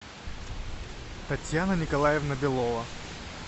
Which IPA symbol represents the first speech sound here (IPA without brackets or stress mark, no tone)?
t̪